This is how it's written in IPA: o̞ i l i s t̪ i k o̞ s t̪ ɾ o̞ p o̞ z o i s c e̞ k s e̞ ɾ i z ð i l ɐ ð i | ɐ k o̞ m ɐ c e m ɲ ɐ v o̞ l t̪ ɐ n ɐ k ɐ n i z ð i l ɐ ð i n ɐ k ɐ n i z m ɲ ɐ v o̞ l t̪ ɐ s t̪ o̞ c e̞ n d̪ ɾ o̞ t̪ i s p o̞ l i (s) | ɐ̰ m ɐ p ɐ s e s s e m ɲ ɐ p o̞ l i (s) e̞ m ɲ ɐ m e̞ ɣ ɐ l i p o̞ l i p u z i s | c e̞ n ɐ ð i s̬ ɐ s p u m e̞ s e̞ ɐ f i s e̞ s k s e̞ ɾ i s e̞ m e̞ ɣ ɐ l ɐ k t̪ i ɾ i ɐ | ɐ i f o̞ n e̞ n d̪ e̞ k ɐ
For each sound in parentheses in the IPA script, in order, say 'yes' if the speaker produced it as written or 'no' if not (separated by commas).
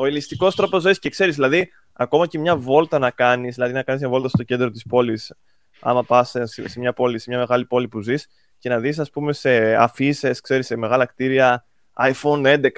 yes, yes